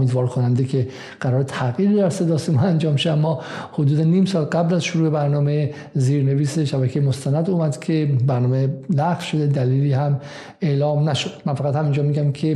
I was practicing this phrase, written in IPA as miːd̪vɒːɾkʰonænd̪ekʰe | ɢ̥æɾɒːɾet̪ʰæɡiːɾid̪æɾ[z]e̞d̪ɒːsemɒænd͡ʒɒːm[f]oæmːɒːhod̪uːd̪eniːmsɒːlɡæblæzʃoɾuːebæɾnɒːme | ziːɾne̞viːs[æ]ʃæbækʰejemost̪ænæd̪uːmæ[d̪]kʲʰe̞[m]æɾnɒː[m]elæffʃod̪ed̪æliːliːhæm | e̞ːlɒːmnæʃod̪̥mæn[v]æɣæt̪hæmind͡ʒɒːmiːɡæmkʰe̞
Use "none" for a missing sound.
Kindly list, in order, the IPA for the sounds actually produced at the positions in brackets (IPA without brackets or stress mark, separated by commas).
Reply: s, ʃ, e, d̪, b, m, f